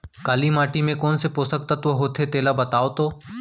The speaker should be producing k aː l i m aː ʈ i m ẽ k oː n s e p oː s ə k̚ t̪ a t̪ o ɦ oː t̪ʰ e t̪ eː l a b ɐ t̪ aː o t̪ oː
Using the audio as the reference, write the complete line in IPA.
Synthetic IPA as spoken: k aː l i m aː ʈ i m ẽ k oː n s e p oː s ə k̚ t̪ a t̪ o ɦ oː t̪ʰ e t̪ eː l a b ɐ t̪ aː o t̪ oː